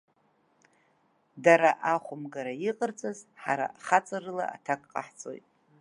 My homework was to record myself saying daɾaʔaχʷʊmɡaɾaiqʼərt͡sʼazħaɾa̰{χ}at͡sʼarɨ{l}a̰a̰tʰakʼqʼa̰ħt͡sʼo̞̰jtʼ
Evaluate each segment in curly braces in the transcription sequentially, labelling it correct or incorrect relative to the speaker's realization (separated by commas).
correct, correct